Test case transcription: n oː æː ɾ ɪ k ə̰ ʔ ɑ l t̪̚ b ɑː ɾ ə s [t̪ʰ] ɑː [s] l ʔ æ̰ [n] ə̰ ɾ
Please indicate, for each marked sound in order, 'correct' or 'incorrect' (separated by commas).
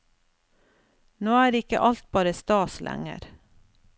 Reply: incorrect, correct, incorrect